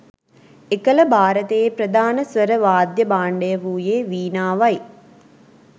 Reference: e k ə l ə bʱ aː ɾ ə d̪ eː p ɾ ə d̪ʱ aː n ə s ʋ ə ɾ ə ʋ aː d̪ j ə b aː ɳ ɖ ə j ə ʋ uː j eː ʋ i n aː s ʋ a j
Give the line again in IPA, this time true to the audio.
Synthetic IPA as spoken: e k ə l ə bʱ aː ɾ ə t̪ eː p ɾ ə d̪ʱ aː n ə s ʋ ə ɾ ə ʋ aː d̪ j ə b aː ɳ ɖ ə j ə ʋ uː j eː ʋ iː n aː ʋ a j